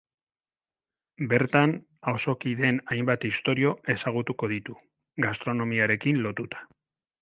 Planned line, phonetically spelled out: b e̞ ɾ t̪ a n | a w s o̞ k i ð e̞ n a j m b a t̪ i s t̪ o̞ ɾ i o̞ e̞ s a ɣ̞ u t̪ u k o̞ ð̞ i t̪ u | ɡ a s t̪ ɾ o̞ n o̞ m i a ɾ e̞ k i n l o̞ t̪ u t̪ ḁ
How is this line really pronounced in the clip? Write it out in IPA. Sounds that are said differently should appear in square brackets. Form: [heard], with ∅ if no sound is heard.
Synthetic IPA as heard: b e̞ ɾ t̪ a n | a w s o̞ k i ð e̞ n a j m b a t̪ i s t̪ o̞ ɾ i o̞ e̞ s a ɣ̞ u t̪ u k o̞ ð̞ i t̪ u | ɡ a s t̪ ɾ o̞ n o̞ m i a ɾ e̞ k i n l o̞ t̪ u t̪ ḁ